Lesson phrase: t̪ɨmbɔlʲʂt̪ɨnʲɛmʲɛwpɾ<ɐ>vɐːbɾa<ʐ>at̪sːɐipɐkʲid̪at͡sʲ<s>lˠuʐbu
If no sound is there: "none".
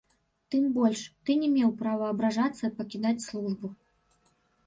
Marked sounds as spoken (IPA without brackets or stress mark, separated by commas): a, ʐ, s